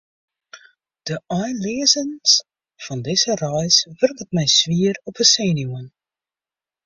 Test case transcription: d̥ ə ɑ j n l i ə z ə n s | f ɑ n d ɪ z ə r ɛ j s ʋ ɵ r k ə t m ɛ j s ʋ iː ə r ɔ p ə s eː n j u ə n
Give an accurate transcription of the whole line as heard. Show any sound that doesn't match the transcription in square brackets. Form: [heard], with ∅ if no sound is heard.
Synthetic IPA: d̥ ə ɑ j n l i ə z ə n s | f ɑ n d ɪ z ə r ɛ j s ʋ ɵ r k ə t m ɛ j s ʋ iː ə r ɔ p ə s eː n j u ə n